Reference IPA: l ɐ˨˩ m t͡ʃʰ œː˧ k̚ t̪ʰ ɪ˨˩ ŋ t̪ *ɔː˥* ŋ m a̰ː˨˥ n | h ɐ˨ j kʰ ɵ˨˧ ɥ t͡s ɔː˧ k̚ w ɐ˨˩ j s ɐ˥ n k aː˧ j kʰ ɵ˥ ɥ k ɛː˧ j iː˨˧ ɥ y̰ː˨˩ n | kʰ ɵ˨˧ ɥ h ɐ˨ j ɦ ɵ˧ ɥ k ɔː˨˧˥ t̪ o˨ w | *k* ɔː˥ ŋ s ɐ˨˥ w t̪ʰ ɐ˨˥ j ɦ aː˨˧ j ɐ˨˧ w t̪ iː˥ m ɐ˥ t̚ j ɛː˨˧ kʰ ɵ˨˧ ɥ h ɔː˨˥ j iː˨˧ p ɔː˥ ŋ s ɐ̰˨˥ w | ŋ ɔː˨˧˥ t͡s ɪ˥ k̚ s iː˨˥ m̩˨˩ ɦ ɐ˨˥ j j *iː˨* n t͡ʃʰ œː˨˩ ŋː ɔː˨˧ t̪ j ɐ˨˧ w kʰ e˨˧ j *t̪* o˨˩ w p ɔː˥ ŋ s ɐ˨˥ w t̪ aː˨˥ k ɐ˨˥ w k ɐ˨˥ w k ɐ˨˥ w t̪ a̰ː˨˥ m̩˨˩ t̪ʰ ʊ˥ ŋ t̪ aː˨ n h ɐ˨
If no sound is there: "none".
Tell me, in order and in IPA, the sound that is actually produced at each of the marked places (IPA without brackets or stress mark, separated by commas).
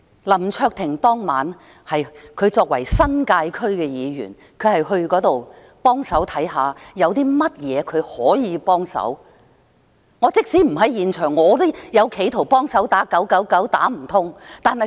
ɔː˥, p, iː˨, t̪ʰ